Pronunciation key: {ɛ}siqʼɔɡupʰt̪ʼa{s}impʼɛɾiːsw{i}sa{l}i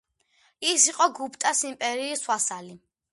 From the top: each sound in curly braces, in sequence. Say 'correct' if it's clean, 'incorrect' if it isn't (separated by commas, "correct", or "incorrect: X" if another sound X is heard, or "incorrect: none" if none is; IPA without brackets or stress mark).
incorrect: i, correct, incorrect: a, correct